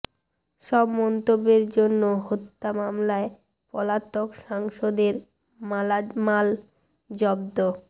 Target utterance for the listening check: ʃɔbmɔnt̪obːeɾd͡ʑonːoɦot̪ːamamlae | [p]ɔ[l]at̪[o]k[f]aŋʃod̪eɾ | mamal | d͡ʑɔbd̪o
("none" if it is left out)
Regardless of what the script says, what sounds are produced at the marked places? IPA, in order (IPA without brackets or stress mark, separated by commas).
p, l, o, ʃ